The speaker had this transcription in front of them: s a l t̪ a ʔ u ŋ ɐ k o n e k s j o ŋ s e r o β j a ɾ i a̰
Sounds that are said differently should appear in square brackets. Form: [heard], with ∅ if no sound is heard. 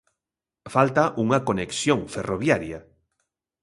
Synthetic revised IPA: [f] a l t̪ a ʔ u ŋ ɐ k o n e k s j o ŋ [f] e r o β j a ɾ [j] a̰